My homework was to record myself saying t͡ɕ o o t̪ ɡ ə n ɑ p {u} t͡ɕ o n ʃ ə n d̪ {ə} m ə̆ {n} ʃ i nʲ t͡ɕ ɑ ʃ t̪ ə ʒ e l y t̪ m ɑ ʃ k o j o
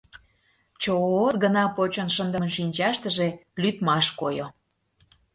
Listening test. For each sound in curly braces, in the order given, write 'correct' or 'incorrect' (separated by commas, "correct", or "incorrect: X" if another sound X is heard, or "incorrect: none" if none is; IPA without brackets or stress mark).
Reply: incorrect: o, correct, correct